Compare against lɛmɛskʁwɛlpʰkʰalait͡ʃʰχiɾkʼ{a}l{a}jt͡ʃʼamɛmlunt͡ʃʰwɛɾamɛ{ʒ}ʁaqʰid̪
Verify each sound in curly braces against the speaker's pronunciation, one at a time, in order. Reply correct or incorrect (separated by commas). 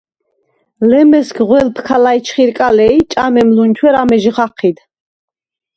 correct, incorrect, correct